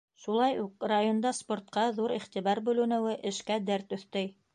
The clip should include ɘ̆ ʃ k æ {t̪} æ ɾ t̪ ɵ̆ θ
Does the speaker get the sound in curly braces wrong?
yes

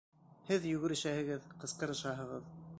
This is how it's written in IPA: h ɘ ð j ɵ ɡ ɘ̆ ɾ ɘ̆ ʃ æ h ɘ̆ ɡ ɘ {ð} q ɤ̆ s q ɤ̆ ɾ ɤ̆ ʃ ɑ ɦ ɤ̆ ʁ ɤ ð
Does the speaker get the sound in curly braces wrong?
no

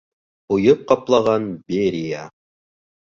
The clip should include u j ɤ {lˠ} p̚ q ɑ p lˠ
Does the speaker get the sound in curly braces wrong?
yes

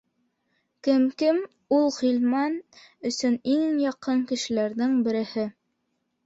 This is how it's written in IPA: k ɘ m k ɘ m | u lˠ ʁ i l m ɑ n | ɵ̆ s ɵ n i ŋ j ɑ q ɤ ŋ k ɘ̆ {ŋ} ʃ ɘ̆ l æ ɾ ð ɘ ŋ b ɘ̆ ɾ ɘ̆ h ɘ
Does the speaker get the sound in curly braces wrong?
yes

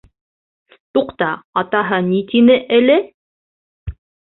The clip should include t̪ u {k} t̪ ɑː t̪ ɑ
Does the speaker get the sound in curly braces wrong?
yes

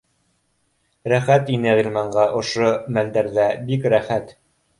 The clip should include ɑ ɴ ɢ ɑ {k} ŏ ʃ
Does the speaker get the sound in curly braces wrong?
yes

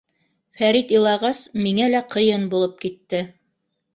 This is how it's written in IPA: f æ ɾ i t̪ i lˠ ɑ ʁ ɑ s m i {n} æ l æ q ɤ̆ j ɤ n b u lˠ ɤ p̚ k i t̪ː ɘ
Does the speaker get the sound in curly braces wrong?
yes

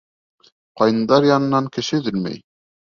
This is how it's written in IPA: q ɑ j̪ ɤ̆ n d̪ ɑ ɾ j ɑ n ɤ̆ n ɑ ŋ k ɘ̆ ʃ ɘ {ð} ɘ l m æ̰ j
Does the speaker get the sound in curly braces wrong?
no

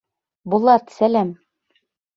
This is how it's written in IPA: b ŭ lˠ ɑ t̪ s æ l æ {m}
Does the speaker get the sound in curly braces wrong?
no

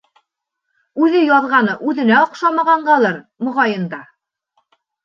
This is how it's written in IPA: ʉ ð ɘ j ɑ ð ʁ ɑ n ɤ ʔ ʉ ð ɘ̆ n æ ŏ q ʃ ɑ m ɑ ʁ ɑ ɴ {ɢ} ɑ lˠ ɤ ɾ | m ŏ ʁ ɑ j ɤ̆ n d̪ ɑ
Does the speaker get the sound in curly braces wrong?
no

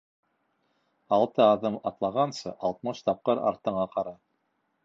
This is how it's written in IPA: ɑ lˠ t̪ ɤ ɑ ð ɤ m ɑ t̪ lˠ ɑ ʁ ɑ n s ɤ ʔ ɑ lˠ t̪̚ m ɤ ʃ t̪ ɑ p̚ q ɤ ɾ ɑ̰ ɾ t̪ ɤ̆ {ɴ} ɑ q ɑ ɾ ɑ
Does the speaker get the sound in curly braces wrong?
no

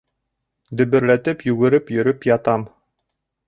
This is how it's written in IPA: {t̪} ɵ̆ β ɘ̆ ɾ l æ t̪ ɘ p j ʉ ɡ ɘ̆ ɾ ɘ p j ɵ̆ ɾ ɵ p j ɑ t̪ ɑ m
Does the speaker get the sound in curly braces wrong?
yes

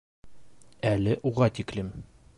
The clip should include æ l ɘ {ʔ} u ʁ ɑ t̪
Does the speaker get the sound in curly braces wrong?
no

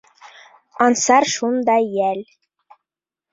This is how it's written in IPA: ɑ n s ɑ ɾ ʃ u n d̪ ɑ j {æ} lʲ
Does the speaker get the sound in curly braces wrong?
no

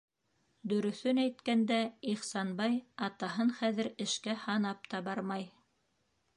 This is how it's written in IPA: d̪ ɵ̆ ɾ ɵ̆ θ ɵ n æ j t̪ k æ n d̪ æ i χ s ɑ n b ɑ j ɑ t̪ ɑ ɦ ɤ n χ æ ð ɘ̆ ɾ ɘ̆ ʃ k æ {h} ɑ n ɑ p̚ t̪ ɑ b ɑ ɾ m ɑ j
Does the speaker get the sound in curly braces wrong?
no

